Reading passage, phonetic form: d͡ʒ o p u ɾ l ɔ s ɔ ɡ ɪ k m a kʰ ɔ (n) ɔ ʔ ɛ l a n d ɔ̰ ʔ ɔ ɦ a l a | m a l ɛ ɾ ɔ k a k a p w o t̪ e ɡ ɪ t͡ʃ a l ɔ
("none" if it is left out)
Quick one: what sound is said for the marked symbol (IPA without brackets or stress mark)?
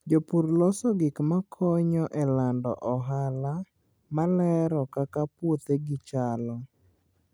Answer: ɲ